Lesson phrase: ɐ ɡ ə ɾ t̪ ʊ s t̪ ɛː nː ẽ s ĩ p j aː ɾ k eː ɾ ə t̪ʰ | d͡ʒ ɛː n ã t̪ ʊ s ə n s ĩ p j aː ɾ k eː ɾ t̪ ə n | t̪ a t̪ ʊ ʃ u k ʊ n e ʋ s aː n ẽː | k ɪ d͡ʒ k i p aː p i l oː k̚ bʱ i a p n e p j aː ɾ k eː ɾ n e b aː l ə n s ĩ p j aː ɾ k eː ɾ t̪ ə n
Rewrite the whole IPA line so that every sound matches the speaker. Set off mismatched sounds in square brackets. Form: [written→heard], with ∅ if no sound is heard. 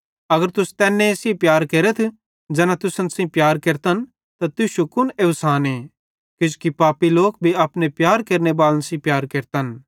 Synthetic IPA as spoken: ɐ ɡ ə ɾ t̪ ʊ s t̪ ɛː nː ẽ s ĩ p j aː ɾ k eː ɾ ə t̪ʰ | d͡ʒ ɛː n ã t̪ ʊ s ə n s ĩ p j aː ɾ k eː ɾ t̪ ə n | t̪ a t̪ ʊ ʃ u k ʊ n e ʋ s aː n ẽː | k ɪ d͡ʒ k i p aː p i l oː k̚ bʱ i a p n e p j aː ɾ k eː ɾ n e b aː l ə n s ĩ p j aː ɾ k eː ɾ t̪ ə n